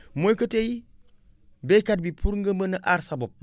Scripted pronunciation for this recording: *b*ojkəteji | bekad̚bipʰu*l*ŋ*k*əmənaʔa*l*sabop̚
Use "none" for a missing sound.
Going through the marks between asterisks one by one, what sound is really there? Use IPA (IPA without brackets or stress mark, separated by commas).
m, ɾ, ɡ, ɾ